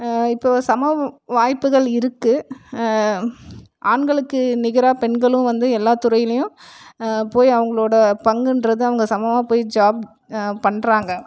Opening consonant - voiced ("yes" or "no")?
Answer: no